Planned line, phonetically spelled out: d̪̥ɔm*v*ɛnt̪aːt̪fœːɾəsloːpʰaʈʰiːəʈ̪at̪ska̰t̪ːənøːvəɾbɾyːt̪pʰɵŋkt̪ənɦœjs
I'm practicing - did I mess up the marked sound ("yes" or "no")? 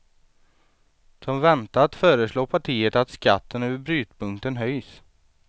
no